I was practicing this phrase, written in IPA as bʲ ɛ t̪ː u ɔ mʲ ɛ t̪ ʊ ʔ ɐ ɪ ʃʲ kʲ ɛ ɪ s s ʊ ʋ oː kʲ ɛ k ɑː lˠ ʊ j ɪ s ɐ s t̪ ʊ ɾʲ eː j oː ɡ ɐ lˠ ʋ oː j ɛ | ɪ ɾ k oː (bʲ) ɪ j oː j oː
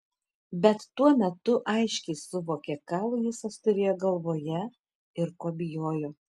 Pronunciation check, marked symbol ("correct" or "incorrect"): correct